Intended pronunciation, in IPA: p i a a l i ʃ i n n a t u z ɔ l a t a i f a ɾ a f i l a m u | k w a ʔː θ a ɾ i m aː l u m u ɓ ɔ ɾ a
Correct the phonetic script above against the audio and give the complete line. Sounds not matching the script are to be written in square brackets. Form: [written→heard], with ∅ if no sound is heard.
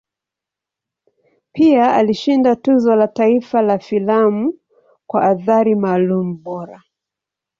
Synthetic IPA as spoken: p i a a l i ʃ i n [n→d] a t u z ɔ l a t a i f a [ɾ→l] a f i l a m u | k w a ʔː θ a ɾ i m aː l u m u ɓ ɔ ɾ a